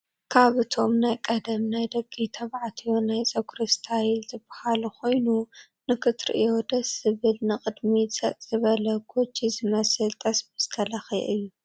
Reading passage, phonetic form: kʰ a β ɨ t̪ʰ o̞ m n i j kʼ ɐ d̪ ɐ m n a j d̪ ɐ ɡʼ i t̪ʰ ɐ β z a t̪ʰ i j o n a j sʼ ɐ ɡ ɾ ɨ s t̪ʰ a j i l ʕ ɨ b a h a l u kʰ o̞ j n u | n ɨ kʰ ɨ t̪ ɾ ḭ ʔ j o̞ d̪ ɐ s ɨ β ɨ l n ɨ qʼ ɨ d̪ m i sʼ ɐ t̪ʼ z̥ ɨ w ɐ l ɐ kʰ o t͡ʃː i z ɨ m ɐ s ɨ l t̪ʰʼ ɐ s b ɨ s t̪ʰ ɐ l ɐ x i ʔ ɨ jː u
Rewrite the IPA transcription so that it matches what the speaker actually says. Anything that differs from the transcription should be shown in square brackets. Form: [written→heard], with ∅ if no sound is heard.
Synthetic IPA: kʰ a β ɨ t̪ʰ o̞ m n [i→a] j kʼ ɐ d̪ ɐ m n a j d̪ ɐ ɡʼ i t̪ʰ ɐ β [z→ʕ] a t̪ʰ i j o n a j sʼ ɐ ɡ ɾ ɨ s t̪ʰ a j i l [ʕ→z] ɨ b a h a l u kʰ o̞ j n u | n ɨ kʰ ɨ t̪ ɾ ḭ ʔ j o̞ d̪ ɐ s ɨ β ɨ l n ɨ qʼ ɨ d̪ m i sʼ ɐ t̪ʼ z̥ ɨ [w→β] ɐ l ɐ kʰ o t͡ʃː i z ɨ m ɐ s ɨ l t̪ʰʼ ɐ s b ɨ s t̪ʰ ɐ l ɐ x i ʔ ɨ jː u